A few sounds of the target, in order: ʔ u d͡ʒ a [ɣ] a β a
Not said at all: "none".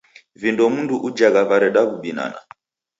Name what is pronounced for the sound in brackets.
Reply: ɣ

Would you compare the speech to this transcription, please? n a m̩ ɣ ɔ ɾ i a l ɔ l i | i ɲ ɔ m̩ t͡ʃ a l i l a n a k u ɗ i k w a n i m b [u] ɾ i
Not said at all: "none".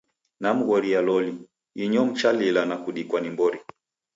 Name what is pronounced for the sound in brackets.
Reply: ɔ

